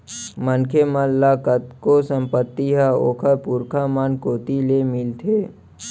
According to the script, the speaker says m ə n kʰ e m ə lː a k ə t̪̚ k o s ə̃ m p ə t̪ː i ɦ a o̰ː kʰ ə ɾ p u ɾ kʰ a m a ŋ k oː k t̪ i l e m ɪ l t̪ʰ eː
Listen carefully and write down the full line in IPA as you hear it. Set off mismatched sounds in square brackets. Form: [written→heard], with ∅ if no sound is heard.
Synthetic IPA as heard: m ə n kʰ e m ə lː a k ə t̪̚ k o s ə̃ m p ə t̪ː i ɦ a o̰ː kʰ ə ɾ p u ɾ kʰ a m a [ŋ→n] k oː [k→∅] t̪ i l e m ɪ l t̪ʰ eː